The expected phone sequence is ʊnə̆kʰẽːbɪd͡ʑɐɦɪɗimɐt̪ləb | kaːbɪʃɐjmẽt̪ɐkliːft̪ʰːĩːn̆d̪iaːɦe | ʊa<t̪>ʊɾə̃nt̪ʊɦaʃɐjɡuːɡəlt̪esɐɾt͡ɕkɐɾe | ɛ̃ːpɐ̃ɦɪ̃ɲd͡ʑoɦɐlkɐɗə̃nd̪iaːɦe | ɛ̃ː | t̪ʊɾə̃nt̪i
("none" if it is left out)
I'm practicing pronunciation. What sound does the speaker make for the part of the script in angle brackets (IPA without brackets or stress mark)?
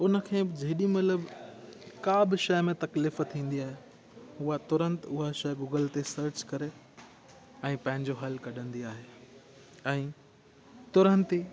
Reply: t̪